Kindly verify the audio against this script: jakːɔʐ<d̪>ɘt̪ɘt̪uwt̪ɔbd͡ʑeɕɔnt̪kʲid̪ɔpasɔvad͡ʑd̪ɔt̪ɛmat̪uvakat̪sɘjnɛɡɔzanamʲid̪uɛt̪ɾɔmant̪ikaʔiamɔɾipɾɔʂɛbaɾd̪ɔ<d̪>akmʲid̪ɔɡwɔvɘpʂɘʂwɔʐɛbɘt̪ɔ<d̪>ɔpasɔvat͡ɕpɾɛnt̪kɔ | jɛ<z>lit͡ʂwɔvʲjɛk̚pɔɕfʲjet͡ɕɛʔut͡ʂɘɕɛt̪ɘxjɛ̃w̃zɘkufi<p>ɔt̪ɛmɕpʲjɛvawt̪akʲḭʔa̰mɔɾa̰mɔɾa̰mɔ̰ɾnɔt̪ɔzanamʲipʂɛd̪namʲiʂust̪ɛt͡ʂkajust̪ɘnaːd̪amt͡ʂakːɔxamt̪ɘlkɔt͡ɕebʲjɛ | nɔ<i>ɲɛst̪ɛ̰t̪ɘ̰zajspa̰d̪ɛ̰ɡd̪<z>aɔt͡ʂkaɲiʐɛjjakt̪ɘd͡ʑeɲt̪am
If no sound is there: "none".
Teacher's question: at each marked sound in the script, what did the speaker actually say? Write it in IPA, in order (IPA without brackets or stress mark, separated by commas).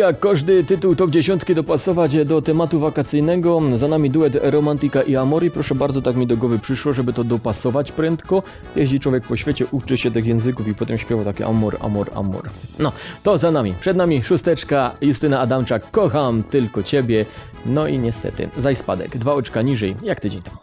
d̪, t̪, d̪, ʑ, p, i, v